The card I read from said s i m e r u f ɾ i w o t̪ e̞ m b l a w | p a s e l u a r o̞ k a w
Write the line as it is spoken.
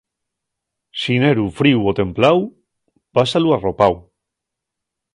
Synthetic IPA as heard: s i n e ɾ u f ɾ i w o t̪ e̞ m p l a w | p a s a l u a r o̞ p a w